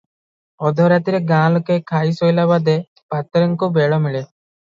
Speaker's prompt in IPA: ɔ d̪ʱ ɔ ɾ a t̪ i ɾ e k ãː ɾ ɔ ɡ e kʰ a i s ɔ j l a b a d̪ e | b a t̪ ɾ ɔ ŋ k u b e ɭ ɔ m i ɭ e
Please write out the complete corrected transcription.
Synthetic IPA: ɔ d̪ʱ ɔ ɾ a t̪ i ɾ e ɡ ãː l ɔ k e kʰ a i s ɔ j l a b a d̪ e | p a t̪ ɾ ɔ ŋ k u b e ɭ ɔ m i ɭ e